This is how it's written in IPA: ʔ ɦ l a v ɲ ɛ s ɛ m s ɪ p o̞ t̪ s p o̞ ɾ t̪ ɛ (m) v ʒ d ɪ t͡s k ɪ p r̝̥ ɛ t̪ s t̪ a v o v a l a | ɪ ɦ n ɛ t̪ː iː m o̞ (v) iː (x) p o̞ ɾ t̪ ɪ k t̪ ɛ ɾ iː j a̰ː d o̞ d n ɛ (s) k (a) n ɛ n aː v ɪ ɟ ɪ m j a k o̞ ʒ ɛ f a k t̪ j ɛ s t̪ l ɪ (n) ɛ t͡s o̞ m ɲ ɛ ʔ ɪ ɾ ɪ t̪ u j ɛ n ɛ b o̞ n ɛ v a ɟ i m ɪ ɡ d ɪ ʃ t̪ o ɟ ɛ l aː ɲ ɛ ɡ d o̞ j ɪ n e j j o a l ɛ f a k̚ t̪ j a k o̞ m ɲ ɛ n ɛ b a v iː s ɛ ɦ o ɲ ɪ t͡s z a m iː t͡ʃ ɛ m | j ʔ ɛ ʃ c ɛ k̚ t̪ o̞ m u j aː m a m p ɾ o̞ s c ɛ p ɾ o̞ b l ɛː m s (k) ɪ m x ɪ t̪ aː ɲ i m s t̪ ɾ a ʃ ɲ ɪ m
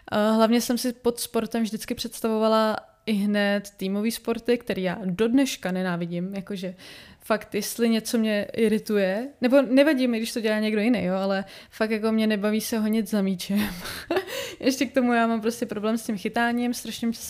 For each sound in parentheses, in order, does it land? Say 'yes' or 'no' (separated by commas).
yes, yes, no, no, yes, no, no